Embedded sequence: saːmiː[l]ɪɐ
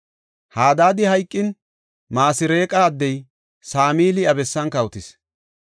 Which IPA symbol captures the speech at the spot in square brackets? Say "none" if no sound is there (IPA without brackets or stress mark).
l